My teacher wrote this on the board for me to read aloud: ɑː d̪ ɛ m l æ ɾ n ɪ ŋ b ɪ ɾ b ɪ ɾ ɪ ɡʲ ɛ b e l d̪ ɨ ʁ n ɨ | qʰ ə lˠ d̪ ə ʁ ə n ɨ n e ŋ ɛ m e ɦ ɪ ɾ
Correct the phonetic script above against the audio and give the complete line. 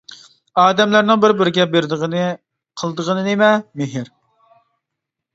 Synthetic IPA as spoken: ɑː d̪ ɛ m l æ ɾ n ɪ ŋ b ɪ ɾ b ɪ ɾ ɪ ɡʲ ɛ b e ɾ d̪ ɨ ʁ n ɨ | qʰ ə lˠ d̪ ə ʁ ə n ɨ n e m ɛ m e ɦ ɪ ɾ